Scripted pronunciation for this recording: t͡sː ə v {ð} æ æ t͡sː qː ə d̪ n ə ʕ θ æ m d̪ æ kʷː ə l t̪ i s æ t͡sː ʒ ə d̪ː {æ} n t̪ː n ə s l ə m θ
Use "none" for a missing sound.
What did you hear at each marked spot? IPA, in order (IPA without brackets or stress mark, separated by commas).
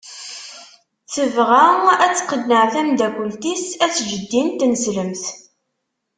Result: ʁ, i